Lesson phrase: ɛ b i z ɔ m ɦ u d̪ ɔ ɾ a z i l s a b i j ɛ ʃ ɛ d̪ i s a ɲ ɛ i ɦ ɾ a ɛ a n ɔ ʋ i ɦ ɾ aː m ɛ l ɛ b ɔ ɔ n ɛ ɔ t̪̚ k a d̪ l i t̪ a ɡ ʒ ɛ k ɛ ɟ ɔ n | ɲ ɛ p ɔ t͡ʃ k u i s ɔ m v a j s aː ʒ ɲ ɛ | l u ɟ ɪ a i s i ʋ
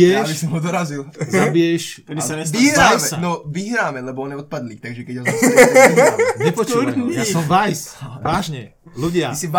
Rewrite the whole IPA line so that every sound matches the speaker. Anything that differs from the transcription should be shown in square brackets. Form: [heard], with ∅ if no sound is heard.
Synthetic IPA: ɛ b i [s] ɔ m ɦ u d̪ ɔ ɾ a z i l [z] a b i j ɛ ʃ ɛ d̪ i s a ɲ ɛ i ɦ ɾ a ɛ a n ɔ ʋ i ɦ ɾ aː m ɛ l ɛ b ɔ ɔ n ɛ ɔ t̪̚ [p] a d̪ l i t̪ a ɡ ʒ ɛ k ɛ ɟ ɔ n | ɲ ɛ p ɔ t͡ʃ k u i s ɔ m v a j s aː ʒ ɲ ɛ | l u ɟ ɪ a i s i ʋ